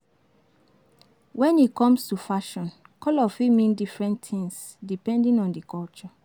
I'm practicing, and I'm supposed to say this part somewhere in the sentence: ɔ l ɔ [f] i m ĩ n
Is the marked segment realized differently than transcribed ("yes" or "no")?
no